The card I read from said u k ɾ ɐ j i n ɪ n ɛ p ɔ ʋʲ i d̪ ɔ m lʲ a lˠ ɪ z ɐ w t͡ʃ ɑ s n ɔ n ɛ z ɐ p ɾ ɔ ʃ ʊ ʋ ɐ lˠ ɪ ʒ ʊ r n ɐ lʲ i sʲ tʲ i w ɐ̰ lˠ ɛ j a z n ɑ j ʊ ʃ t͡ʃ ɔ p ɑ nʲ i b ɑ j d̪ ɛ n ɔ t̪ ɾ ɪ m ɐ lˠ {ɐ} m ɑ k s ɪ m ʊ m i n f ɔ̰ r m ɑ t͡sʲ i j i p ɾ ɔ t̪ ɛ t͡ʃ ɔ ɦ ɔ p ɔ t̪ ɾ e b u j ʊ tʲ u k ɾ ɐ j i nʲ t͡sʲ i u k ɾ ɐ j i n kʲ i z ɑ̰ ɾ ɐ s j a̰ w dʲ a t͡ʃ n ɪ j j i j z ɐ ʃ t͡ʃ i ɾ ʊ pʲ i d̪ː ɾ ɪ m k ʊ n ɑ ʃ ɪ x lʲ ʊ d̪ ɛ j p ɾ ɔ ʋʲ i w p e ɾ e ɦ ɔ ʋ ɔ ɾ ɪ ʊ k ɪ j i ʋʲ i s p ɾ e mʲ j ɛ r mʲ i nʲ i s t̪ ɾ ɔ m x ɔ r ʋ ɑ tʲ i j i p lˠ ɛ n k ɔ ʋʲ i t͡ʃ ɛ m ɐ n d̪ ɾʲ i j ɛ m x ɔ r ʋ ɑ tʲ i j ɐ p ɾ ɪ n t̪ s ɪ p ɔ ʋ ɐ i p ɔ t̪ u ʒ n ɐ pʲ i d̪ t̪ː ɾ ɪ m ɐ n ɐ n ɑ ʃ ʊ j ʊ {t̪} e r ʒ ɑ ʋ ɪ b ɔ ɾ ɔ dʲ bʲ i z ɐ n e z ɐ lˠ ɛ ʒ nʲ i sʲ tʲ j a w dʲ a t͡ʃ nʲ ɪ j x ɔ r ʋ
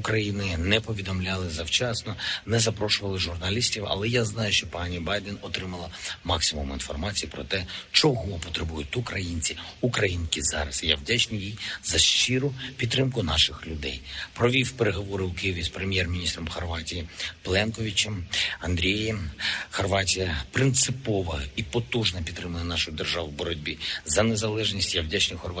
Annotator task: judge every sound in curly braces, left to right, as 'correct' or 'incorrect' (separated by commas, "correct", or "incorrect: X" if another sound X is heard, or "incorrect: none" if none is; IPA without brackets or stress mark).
correct, incorrect: d̪